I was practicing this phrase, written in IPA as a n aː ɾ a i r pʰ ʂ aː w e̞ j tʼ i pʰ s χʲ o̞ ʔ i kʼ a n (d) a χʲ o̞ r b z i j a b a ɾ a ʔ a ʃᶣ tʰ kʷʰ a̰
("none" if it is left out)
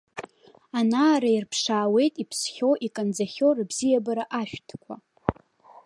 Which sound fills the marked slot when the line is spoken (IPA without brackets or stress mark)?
d͡z